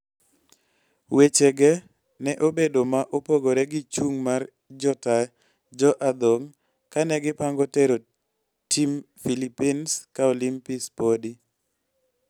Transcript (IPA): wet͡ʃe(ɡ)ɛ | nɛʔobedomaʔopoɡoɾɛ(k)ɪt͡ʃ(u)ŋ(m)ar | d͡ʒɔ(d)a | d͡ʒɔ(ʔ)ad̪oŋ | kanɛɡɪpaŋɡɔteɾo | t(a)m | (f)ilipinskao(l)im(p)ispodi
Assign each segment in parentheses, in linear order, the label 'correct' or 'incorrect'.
correct, incorrect: ɡ, correct, correct, incorrect: t, correct, incorrect: i, correct, correct, correct

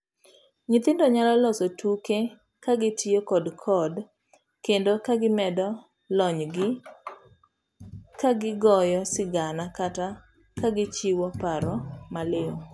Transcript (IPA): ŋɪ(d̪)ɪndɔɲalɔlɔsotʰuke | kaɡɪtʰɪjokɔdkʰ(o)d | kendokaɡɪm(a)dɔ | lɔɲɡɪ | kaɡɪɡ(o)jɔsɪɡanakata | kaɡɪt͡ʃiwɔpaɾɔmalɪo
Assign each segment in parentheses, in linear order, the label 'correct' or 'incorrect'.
incorrect: t̪, incorrect: ɔ, incorrect: ɛ, incorrect: ɔ

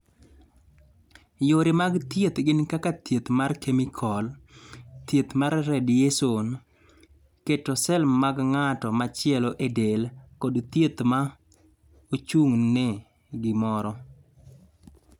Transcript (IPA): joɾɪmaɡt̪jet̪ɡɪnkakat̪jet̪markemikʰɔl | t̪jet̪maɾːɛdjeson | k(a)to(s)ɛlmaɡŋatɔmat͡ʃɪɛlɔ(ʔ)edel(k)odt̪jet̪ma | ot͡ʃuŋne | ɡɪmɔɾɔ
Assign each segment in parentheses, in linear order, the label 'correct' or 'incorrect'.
incorrect: e, correct, correct, correct

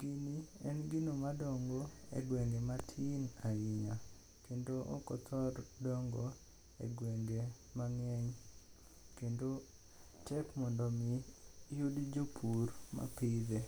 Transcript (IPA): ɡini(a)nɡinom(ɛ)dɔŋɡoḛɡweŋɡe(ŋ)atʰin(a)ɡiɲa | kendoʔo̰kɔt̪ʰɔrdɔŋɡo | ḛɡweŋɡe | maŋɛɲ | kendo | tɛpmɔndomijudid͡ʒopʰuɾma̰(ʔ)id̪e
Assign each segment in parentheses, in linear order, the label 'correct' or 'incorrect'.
incorrect: ɛ, incorrect: a, incorrect: m, correct, incorrect: p

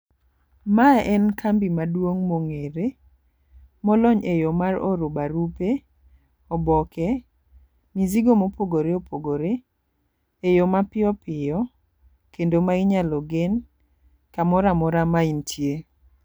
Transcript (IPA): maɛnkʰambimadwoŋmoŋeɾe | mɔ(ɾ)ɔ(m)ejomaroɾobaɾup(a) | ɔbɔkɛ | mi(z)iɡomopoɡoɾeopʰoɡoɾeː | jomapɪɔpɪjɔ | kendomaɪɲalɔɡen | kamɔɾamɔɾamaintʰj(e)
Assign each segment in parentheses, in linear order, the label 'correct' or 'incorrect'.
incorrect: l, incorrect: ɲ, incorrect: e, correct, correct

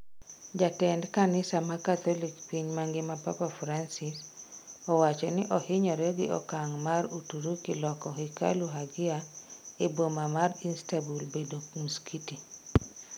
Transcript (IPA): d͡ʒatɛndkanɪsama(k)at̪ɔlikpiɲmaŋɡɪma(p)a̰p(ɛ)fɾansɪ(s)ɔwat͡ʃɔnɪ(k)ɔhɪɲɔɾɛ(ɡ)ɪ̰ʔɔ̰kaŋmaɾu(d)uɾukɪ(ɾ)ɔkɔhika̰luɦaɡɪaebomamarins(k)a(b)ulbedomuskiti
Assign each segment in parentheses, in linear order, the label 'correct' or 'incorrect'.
correct, correct, incorrect: a, correct, incorrect: ʔ, correct, incorrect: t, incorrect: l, incorrect: t, correct

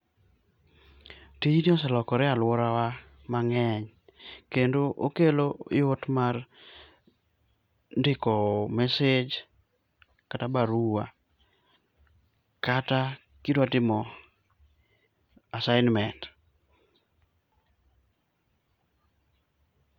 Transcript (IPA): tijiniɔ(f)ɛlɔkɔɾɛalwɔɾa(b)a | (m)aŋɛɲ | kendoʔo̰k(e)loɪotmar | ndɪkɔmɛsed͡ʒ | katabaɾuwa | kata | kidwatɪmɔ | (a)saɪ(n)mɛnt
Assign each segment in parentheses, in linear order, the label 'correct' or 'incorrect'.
incorrect: s, incorrect: w, correct, correct, correct, correct

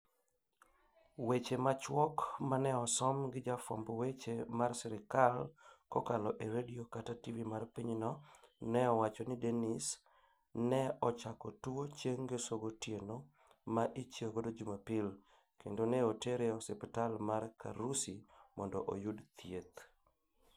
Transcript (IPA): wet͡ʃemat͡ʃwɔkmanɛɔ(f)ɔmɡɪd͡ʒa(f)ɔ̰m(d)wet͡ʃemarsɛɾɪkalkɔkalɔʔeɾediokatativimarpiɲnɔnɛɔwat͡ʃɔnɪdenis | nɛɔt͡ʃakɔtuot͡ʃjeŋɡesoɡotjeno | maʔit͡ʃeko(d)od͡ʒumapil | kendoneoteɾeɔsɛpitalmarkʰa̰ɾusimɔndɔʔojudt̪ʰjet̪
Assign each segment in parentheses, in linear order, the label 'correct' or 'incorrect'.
incorrect: s, correct, incorrect: b, correct

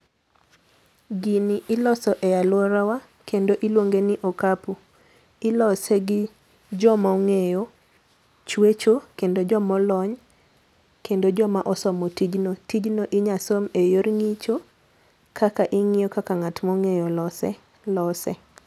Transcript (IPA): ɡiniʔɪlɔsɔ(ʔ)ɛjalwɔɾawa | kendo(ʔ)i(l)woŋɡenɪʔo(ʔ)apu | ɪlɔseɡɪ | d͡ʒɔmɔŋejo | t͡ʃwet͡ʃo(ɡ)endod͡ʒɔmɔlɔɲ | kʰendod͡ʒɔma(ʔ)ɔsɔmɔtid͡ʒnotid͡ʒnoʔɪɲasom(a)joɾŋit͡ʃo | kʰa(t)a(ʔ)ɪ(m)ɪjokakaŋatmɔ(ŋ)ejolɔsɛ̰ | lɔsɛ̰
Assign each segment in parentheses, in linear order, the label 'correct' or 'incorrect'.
correct, correct, correct, incorrect: k, incorrect: k, correct, incorrect: e, incorrect: k, correct, incorrect: ŋ, correct

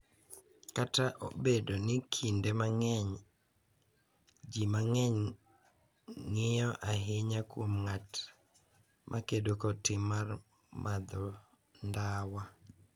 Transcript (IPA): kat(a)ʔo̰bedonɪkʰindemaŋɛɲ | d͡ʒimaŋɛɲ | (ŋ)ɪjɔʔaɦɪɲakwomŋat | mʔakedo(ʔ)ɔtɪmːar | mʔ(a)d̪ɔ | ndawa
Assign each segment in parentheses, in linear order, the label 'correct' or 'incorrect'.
correct, correct, incorrect: k, correct

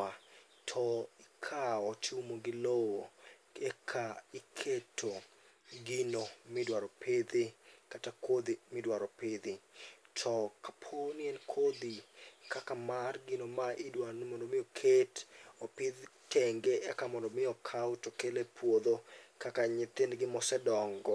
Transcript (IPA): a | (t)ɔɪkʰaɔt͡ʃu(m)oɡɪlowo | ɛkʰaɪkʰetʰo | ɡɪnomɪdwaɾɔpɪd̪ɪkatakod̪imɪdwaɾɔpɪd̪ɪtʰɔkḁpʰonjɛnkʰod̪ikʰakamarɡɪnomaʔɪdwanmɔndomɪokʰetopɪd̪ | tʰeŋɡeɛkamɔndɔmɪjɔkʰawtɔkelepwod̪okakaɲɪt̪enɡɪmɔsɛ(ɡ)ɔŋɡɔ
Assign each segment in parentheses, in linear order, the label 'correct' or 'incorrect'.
incorrect: tʰ, correct, incorrect: d

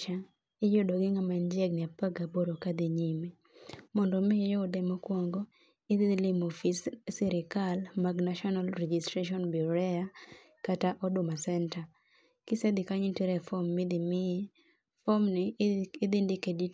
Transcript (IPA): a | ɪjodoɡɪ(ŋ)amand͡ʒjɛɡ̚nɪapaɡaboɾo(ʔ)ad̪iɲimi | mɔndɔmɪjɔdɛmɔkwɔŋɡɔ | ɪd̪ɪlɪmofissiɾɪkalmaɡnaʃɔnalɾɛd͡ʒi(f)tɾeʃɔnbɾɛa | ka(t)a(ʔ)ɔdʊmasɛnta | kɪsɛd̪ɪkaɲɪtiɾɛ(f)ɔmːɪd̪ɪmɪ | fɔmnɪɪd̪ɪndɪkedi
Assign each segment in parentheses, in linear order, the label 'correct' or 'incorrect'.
correct, incorrect: k, incorrect: s, correct, correct, correct

